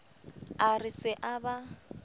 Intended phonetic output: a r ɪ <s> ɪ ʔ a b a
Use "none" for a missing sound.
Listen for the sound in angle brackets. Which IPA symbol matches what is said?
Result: s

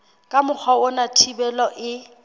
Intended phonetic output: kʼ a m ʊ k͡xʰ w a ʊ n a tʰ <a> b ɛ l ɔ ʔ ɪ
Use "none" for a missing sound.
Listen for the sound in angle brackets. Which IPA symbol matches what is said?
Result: i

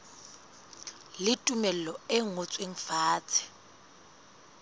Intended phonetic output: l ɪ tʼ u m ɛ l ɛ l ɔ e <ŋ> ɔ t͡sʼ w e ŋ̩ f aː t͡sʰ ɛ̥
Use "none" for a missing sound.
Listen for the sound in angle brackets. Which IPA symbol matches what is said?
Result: ŋ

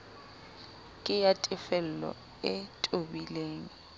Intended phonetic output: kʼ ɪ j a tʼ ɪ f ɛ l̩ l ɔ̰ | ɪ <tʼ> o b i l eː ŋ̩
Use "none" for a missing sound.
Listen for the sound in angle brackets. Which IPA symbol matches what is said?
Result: tʼ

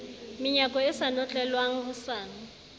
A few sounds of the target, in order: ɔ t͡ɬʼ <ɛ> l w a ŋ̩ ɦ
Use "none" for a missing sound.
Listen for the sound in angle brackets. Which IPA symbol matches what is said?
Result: ɛ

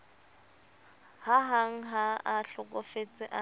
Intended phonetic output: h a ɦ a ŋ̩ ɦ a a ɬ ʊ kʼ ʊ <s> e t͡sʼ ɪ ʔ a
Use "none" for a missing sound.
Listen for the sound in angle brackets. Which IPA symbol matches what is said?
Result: f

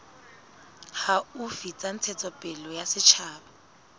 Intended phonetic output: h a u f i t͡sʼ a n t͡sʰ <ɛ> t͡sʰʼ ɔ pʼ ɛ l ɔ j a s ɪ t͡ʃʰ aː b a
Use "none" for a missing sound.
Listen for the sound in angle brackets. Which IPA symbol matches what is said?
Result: ɛ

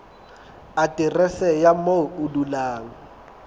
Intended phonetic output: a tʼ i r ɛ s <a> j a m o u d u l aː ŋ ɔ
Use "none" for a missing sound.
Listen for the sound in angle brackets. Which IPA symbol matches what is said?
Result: ɛ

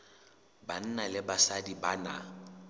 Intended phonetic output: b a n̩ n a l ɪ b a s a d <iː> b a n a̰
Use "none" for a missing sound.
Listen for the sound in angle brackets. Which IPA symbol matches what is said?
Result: i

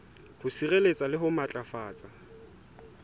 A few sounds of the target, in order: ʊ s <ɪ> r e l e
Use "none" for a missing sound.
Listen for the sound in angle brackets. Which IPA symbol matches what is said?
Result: i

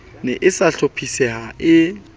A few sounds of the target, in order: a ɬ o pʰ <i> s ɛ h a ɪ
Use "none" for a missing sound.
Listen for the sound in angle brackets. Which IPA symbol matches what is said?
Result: i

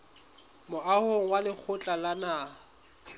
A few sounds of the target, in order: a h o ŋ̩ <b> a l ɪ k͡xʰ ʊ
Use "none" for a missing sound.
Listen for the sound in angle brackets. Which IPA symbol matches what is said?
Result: w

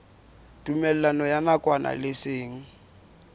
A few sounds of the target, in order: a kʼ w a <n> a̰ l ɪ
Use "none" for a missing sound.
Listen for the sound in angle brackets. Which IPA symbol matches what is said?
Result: n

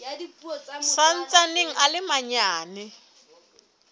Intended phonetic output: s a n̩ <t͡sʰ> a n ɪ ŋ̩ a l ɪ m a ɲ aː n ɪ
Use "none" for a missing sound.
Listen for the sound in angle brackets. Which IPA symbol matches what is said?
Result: t͡s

